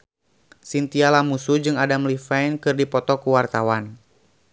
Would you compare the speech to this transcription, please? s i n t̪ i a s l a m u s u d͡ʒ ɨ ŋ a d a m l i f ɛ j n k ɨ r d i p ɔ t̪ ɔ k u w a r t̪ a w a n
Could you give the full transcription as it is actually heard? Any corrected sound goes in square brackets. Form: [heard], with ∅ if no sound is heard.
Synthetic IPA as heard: s i n t̪ i a [∅] l a m u s u d͡ʒ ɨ ŋ a d a m l i f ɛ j n k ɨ r d i p ɔ t̪ ɔ k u w a r t̪ a w a n